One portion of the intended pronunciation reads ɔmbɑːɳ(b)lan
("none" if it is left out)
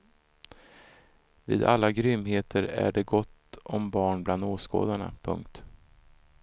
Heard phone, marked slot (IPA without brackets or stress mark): b